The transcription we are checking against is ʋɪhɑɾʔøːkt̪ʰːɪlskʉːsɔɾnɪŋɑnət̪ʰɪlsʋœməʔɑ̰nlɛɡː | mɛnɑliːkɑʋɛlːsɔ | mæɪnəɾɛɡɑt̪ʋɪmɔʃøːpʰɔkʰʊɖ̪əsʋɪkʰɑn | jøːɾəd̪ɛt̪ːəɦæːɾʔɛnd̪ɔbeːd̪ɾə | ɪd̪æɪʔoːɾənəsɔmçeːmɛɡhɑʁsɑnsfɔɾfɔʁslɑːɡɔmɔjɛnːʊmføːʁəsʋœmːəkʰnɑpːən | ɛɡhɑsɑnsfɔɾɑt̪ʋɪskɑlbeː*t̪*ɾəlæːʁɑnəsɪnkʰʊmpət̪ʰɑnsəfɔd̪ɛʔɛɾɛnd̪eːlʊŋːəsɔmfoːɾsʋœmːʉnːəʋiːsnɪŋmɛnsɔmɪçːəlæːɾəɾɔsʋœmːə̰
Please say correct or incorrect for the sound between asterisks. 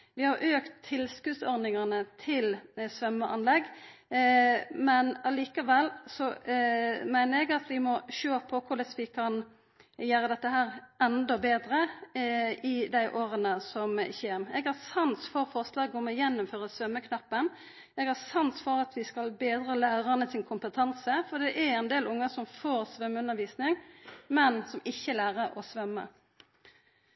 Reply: incorrect